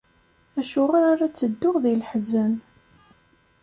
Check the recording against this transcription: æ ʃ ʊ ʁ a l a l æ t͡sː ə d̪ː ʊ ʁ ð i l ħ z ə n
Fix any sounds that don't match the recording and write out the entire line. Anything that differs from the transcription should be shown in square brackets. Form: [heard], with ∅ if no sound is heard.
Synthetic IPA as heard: æ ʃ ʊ ʁ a [ɾ] a [ɾ] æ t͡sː ə d̪ː ʊ ʁ ð i l ħ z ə n